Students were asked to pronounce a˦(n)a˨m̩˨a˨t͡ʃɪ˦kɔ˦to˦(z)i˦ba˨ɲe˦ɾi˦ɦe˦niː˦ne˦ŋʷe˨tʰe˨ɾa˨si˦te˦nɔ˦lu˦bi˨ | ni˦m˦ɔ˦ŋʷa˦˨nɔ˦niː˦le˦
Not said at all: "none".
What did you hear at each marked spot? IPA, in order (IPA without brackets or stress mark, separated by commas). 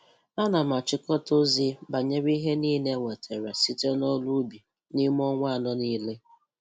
n, z